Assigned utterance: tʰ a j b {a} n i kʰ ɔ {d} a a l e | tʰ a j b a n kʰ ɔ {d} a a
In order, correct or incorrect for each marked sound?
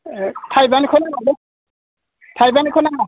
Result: correct, incorrect: n, incorrect: n

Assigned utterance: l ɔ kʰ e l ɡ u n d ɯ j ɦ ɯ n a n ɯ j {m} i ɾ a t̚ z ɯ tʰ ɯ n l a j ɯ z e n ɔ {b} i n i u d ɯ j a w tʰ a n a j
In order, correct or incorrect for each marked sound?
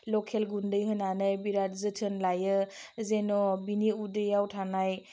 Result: incorrect: b, correct

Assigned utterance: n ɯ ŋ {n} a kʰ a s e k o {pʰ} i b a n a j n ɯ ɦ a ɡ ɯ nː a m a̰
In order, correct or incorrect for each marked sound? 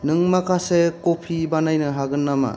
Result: incorrect: m, correct

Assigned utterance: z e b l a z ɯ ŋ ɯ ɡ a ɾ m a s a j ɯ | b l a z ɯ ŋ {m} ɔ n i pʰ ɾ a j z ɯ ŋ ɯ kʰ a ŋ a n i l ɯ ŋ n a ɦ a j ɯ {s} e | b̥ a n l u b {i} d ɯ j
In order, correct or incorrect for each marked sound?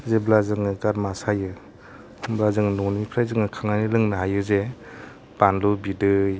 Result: incorrect: n, incorrect: z, correct

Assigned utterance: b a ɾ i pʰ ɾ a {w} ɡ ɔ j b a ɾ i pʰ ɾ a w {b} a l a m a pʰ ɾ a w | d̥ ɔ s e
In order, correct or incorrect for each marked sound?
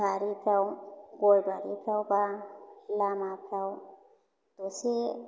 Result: correct, correct

